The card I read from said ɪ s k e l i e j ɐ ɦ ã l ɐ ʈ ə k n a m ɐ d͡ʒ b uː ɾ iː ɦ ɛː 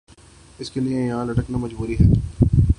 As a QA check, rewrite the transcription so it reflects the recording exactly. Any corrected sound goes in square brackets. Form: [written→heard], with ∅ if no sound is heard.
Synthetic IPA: ɪ s k e l i e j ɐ ɦ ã l ɐ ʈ ə k n a m ɐ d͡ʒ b uː ɾ [iː→i] ɦ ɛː